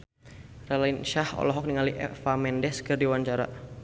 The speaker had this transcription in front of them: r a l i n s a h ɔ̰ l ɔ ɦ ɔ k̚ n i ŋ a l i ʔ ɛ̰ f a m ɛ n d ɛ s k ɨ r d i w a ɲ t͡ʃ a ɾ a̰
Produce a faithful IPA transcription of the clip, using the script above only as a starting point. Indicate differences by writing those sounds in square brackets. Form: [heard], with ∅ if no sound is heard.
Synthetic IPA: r a l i n [ʃ] a h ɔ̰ l ɔ ɦ ɔ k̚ n i ŋ a l i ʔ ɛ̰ f a m ɛ n d ɛ s k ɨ r d i w a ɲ t͡ʃ a ɾ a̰